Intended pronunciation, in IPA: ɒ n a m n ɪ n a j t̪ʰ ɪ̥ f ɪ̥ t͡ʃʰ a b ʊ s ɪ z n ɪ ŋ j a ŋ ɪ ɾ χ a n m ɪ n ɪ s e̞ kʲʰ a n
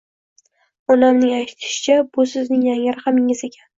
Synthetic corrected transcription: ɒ n a m n ɪ ŋ a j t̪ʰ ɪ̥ ʃ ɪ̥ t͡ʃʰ a b ʊ s ɪ z n ɪ ŋ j a ŋ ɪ ɾ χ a m ɪ ŋ ɪ z e̞ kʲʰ a n